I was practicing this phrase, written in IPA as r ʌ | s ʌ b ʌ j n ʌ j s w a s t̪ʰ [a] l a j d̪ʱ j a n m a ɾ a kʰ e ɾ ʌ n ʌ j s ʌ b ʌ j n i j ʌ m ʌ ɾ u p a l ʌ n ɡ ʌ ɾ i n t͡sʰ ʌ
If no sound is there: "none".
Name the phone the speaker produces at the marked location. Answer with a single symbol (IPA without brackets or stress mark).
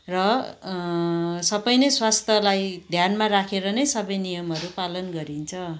ʌ